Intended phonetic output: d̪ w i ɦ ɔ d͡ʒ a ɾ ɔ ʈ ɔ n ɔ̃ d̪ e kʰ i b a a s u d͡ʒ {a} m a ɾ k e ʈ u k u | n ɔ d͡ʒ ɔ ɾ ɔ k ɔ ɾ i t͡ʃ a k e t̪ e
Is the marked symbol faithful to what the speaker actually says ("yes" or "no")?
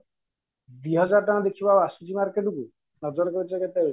no